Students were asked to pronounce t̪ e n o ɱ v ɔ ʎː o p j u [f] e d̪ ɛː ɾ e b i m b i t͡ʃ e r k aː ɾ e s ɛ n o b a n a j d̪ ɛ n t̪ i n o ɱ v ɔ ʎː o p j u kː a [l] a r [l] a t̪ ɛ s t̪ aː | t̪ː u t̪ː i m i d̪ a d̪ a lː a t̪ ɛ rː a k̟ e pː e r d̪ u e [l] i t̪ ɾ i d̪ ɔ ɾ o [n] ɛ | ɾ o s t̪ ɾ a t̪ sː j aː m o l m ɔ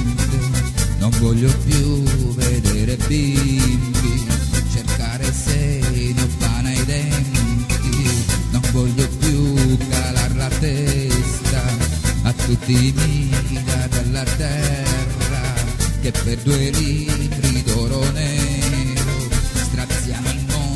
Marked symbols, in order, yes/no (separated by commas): no, yes, yes, yes, yes